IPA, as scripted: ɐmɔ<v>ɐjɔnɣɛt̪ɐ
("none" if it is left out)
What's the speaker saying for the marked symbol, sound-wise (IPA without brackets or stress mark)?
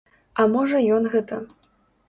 ʐ